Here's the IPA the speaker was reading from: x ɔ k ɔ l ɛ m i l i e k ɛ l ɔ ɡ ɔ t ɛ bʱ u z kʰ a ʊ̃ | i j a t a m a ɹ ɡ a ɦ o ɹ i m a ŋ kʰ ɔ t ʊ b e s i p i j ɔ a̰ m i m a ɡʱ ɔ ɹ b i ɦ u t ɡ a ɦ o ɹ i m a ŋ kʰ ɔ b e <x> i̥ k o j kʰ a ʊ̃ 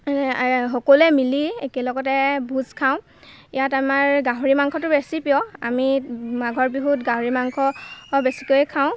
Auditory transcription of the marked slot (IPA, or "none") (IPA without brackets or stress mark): s